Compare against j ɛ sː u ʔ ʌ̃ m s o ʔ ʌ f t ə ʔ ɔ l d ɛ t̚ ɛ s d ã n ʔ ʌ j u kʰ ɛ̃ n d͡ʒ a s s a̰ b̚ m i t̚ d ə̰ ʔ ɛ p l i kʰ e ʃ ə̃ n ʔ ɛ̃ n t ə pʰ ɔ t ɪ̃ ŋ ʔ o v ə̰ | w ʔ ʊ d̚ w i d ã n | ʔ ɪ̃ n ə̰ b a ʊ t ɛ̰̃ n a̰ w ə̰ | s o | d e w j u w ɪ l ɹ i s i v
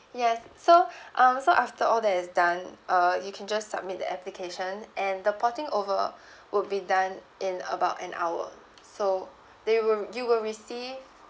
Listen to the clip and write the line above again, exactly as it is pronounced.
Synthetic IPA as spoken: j ɛ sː o ʔ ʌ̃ m s o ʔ a f t ə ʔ ɔ l d ɛ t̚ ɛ s d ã n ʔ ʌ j u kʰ ɛ̃ n d͡ʒ a s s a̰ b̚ m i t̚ d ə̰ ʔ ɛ p l i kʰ e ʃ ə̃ n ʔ ɛ̃ n d ə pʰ ɔ t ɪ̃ ŋ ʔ o v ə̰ | w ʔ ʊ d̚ b i d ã n | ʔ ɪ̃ n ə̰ b a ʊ t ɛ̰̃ n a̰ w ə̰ | s o | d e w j u w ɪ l ɹ i s i v

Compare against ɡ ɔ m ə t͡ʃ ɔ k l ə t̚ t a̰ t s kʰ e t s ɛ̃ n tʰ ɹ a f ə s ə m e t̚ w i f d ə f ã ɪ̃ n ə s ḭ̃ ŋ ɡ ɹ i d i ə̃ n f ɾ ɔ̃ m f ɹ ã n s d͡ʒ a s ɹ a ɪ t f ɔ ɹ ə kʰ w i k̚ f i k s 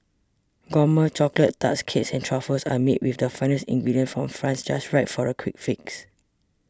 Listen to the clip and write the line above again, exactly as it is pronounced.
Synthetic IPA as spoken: ɡ ɔ m ə t͡ʃ ɔ k l ə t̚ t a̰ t s kʰ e t s ɛ̃ n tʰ ɹ a f ə s a m e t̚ w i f d ə f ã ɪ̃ n ə s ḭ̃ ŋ ɡ ɹ i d i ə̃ n f ɹ ɔ̃ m f ɹ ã n s d͡ʒ a s ɹ a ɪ t f ɔ ɹ ə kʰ w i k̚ f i k s

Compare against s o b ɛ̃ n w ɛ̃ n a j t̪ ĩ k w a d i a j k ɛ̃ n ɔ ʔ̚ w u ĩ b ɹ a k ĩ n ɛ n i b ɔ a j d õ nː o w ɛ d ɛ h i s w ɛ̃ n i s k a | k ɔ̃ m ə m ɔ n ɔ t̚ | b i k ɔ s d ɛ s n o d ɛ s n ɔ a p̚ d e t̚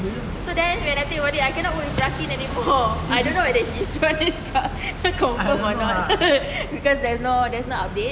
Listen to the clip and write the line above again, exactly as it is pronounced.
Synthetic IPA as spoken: s o d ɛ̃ n w ɛ̃ n a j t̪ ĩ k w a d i a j k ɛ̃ n ɔ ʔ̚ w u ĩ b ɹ a k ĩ n ɛ n i m ɔ a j d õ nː o w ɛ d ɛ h i s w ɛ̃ n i s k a | k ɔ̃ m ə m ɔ n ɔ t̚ | b i k ɔ s d ɛ s n o d ɛ s n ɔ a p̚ d e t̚

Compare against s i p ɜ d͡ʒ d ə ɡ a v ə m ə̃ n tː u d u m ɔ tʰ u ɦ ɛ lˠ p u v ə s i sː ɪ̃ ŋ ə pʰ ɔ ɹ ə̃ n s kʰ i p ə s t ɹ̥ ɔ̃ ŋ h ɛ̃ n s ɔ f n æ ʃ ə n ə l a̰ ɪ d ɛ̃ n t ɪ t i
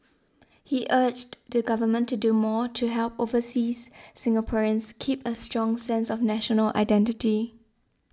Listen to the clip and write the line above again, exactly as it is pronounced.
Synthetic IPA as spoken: h i ʔ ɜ d͡ʒ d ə ɡ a v ə m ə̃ n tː u d u m ɔ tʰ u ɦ ɛ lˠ p o v ə s i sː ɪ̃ ŋ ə pʰ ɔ ɹ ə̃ n s kʰ i p ə s t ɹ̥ ɔ̃ ŋ s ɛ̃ n s ɔ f n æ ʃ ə n ə l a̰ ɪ d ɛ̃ n t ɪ t i

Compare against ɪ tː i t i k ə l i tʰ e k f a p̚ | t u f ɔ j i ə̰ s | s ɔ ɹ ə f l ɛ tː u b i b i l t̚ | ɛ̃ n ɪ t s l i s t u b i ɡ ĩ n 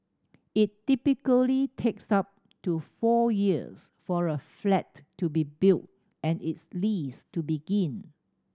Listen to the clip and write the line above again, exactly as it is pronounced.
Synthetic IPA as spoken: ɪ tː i p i k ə l i tʰ e k s a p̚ | t u f ɔ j i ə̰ s | f ɔ ɹ ə f l ɛ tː u b i b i l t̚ | ɛ̃ n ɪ t s l i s t u b i ɡ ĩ n

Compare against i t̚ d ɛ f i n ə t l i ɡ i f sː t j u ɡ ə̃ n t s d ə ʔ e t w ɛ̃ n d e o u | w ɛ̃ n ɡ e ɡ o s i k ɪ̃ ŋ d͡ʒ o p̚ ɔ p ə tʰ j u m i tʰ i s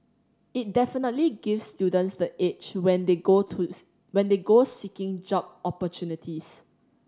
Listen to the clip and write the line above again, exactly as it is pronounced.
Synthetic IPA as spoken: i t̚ d ɛ f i n ə t l i ɡ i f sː t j u d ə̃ n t s d ə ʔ e t͡ʃ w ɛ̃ n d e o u | w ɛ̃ n d e ɡ o s i k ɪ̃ ŋ d͡ʒ ɔ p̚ ɔ p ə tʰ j u n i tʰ i s

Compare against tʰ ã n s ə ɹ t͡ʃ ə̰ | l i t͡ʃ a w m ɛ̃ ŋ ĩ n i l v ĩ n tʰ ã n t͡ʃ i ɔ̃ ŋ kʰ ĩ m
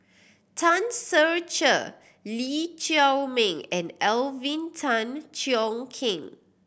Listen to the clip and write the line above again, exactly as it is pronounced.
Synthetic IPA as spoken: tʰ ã n s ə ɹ t͡ʃ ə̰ | l i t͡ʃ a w m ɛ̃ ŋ ɛ̃ n ɛ l v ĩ n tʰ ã n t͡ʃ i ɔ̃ ŋ kʰ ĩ ŋ

